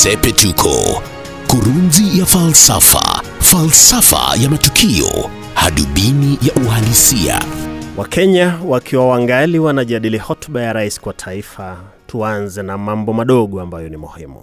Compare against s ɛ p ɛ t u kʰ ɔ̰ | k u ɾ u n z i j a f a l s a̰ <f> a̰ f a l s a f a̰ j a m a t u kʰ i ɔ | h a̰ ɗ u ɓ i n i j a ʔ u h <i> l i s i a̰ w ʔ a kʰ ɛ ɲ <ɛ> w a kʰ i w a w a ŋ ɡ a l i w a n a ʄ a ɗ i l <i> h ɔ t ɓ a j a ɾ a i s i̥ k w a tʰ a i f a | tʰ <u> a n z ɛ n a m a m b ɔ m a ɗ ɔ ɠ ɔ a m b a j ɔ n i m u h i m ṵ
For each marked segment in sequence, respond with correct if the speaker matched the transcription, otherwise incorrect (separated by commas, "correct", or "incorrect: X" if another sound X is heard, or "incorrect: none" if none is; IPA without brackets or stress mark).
correct, incorrect: a, incorrect: a, correct, correct